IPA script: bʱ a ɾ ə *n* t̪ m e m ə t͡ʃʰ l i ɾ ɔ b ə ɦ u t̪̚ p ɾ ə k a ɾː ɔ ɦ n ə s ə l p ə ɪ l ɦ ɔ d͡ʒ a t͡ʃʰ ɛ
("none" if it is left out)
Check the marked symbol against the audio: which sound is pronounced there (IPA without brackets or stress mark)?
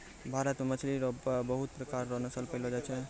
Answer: none